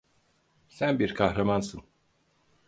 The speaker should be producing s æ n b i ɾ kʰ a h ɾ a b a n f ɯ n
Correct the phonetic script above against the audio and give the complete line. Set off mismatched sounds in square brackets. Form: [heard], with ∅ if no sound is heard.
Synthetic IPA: s æ n b i ɾ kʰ a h ɾ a [m] a n [s] ɯ n